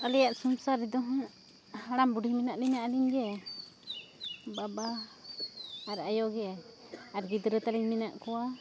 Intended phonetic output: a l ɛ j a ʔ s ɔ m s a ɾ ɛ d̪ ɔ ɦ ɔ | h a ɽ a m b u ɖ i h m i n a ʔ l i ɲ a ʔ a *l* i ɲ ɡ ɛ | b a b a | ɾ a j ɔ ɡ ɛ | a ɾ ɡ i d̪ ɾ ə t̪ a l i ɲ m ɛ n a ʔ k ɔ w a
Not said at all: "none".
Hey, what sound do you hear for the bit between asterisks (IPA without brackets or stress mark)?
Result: l